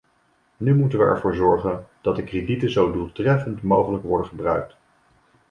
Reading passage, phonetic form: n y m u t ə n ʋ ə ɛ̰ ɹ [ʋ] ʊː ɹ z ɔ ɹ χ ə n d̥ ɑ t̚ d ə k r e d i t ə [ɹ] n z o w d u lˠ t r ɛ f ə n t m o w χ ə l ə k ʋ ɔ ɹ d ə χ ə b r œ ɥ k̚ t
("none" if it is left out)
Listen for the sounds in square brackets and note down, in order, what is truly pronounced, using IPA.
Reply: v, none

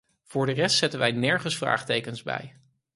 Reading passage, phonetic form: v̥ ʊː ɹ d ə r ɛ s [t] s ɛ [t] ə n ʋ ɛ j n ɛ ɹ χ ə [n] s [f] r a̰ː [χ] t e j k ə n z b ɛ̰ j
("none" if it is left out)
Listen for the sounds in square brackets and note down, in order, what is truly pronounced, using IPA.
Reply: t, t, n, f, χ

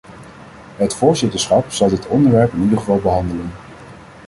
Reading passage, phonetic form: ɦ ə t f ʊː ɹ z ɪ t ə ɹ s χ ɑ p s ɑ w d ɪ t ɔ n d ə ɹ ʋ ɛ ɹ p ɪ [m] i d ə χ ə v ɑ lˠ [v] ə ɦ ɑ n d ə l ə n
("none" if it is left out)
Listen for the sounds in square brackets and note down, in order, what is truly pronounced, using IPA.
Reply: n, b

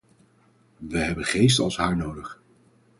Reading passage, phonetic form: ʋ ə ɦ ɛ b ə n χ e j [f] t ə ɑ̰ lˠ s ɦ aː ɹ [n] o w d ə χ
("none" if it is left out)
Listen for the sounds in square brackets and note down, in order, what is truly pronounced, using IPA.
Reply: s, n

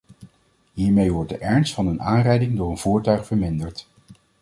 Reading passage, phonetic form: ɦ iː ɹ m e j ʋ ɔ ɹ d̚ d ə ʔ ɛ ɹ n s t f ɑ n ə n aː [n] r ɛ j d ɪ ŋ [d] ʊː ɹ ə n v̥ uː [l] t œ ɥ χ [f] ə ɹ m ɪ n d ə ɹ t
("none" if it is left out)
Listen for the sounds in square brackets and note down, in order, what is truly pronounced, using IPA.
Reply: n, d, ɹ, f

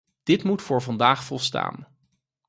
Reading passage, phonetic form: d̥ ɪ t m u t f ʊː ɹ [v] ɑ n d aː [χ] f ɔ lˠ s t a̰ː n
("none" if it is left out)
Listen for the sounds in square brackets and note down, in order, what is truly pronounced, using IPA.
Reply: v, χ

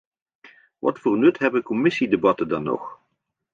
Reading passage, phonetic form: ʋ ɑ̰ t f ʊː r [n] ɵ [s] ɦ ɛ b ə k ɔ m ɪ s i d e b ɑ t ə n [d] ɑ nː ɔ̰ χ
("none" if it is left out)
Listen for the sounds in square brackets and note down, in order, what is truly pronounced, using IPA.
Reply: n, t, d

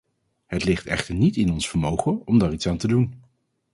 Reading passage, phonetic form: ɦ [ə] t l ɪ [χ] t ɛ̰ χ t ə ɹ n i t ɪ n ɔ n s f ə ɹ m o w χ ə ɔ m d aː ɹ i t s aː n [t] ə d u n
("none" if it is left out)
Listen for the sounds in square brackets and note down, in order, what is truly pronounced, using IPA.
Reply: ə, χ, t

